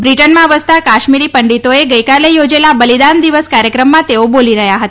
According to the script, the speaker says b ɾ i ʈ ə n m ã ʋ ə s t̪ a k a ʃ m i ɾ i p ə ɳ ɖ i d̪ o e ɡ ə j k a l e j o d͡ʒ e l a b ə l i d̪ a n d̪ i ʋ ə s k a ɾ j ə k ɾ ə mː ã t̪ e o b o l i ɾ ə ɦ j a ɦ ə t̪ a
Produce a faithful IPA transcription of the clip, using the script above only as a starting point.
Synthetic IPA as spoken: b ɾ i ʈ ə n m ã ʋ ə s t̪ a k a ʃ m i ɾ i p ə ɳ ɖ i t̪ o e ɡ ə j k a l e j o d͡ʒ e l a b ə l i d̪ a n d̪ i ʋ ə s k a ɾ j ə k ɾ ə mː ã t̪ e o b o l i ɾ ə ɦ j a ɦ ə t̪ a